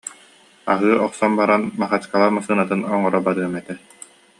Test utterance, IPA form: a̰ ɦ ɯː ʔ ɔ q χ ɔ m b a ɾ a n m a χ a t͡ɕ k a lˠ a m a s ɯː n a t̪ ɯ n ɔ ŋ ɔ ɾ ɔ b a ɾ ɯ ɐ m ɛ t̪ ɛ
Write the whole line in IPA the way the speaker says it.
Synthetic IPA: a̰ ɦ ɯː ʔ ɔ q s ɔ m b a ɾ a n m a χ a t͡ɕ k a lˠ a m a s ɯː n a t̪ ɯ n ɔ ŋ ɔ ɾ ɔ b a ɾ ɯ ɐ m ɛ t̪ ɛ